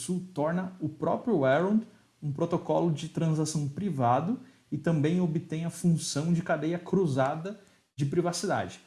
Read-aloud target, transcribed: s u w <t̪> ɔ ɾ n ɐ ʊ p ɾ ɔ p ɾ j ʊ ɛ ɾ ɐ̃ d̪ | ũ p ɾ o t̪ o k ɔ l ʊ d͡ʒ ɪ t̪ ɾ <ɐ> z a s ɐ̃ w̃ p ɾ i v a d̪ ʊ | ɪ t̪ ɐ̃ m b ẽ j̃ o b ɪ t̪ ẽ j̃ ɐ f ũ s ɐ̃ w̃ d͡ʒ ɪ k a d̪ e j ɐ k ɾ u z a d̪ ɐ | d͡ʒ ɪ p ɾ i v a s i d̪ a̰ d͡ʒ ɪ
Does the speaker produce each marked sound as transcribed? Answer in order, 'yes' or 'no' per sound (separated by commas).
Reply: yes, no